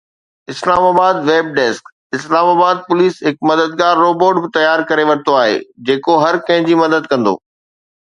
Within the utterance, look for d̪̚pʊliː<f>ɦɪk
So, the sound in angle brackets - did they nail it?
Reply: no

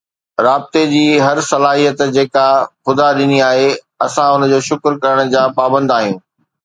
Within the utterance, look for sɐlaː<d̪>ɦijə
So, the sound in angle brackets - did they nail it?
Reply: no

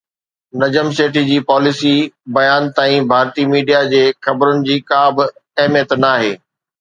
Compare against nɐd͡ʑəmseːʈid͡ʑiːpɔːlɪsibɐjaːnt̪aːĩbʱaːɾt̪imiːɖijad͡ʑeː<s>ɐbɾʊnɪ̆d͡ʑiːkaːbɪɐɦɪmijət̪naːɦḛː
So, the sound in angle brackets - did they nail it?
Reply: no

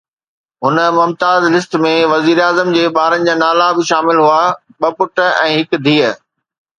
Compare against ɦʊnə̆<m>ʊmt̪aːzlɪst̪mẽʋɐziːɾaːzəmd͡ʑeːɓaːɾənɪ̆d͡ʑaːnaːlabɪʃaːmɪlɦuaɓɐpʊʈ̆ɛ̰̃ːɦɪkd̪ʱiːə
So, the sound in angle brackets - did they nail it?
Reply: yes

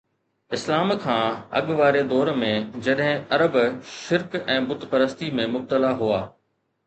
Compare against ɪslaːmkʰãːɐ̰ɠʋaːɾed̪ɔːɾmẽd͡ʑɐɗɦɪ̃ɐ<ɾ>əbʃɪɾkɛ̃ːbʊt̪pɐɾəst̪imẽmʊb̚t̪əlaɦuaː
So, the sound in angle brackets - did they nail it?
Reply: yes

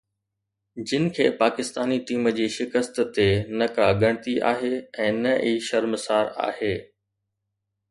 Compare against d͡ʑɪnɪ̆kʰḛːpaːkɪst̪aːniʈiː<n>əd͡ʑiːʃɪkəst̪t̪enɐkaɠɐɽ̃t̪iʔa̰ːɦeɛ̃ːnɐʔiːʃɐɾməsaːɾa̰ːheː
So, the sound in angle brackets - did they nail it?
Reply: no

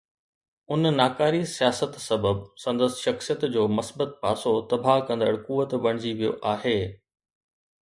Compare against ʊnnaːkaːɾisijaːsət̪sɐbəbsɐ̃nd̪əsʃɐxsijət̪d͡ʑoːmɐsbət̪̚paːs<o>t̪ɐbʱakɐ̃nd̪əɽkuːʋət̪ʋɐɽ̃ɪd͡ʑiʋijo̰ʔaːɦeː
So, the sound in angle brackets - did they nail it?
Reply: yes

